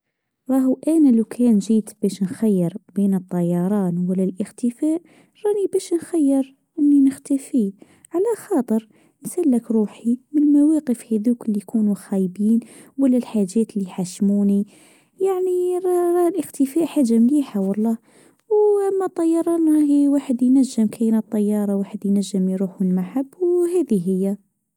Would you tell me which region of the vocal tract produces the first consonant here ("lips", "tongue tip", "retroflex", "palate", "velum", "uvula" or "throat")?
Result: tongue tip